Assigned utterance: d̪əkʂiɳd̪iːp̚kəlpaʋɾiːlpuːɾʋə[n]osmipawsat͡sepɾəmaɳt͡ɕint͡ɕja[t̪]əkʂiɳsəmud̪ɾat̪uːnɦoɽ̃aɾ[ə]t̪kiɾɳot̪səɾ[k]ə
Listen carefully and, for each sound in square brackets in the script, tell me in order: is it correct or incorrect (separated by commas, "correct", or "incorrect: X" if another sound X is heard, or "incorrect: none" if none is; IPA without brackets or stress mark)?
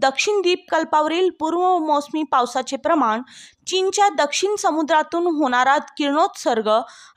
incorrect: m, incorrect: d̪, incorrect: a, incorrect: ɡ